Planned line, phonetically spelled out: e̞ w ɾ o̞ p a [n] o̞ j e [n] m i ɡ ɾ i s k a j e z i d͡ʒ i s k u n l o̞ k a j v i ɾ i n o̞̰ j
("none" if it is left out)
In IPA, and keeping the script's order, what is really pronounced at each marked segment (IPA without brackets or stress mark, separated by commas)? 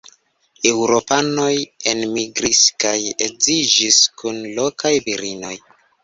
n, n